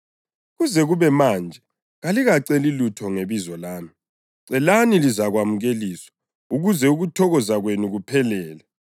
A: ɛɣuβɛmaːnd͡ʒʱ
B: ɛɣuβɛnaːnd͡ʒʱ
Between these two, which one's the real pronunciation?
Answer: A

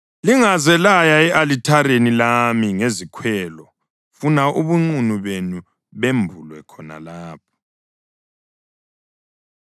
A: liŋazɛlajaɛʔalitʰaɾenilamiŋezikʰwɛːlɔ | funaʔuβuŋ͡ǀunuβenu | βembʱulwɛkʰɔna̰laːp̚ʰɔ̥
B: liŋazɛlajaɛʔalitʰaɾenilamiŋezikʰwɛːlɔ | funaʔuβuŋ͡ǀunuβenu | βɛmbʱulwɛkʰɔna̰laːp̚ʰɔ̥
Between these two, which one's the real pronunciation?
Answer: A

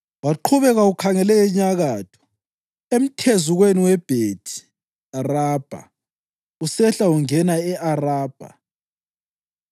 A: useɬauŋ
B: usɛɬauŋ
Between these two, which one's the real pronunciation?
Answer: B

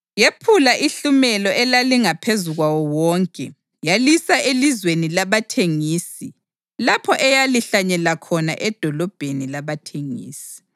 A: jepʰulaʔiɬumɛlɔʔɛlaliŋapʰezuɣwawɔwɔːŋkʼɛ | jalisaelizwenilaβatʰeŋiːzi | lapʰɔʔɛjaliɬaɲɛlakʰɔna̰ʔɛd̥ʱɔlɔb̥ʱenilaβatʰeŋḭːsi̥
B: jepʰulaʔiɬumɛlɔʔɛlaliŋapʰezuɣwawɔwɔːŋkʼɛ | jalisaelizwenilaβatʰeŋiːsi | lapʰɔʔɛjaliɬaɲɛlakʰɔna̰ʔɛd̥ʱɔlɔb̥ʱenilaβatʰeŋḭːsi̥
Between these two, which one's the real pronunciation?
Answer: B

